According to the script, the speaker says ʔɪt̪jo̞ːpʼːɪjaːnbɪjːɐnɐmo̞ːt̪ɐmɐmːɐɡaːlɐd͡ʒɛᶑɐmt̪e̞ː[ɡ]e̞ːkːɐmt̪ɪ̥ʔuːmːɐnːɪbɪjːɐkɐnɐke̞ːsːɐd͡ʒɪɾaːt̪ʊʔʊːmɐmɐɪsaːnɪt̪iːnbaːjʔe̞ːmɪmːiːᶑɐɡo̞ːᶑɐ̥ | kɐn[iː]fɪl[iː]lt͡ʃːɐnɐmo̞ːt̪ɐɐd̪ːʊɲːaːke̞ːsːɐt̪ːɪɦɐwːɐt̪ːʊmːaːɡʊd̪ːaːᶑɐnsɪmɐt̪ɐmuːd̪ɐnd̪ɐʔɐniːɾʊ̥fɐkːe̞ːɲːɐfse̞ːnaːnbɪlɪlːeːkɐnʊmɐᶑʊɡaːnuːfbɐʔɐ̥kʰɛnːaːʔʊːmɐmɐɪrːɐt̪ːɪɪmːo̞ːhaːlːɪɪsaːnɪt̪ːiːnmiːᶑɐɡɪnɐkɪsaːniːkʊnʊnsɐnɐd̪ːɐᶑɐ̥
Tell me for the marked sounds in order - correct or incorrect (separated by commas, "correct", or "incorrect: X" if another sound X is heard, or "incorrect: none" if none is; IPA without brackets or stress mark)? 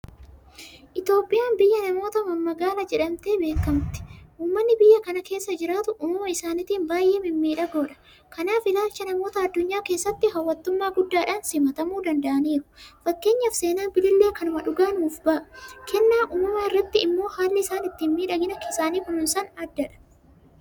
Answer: incorrect: b, incorrect: aː, incorrect: aː